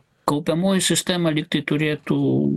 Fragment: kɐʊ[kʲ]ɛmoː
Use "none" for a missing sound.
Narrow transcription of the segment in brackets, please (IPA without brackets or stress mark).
pʲ